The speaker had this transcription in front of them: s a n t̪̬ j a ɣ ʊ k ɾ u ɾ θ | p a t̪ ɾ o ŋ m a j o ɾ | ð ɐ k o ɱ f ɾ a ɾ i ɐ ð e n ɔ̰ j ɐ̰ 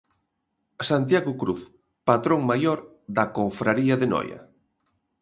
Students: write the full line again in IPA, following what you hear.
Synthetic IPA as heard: s a n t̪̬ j a ɣ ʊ k ɾ u θ | p a t̪ ɾ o ŋ m a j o ɾ | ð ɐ k o ɱ f ɾ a ɾ i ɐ ð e n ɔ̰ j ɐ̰